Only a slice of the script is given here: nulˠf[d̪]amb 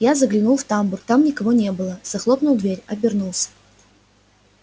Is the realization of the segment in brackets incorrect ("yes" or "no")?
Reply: yes